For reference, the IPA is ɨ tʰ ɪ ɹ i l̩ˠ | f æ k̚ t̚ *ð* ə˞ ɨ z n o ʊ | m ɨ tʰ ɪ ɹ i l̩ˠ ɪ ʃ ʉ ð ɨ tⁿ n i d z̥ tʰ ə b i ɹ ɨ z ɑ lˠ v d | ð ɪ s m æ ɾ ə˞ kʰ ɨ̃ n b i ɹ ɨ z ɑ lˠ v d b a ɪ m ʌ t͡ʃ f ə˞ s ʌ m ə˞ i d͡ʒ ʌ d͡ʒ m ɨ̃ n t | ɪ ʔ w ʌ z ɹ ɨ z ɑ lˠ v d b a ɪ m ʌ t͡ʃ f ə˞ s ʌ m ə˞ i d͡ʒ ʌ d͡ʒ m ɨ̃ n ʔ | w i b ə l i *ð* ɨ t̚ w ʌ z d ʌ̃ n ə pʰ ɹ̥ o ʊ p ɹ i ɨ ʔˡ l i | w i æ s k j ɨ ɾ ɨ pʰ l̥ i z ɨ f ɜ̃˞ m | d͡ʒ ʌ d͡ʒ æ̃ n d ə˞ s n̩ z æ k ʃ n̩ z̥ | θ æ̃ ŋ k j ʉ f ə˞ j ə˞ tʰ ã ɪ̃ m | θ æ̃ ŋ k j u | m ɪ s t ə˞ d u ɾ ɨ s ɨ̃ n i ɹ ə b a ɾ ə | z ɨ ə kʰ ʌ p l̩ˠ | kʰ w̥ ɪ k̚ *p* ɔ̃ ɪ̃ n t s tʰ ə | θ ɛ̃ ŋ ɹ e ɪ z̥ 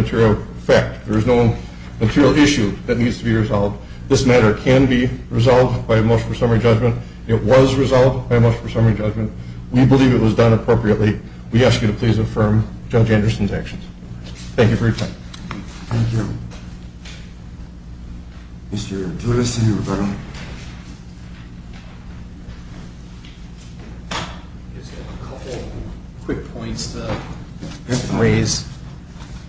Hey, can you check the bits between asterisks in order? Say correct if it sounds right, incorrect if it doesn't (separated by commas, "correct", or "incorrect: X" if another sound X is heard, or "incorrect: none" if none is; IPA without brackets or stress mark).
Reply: correct, incorrect: v, incorrect: pʰ